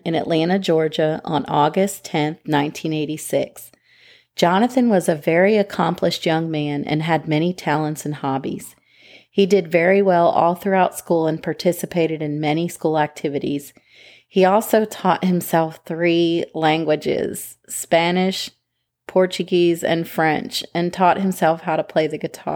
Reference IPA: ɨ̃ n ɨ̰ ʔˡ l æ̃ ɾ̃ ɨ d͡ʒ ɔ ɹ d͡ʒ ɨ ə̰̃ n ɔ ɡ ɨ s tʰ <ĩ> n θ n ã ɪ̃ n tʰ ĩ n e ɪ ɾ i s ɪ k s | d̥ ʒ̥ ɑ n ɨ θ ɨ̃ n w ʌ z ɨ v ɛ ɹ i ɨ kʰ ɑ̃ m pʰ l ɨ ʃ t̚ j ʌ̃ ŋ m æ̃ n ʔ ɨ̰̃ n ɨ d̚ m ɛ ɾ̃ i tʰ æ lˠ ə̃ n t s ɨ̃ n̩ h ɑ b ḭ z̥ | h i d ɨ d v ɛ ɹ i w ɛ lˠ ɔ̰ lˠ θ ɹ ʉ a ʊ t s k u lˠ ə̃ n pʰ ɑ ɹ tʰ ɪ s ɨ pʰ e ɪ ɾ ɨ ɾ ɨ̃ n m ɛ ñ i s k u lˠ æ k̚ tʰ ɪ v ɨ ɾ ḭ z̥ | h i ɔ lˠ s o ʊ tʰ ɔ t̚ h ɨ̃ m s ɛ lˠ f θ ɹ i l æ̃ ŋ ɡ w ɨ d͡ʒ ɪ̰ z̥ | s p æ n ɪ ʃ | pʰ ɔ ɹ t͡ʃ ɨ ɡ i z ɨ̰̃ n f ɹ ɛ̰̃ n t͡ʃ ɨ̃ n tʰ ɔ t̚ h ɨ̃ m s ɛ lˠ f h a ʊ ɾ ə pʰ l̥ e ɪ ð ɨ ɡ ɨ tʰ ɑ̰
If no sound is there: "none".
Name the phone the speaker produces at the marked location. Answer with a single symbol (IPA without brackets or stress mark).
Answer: ɛ̃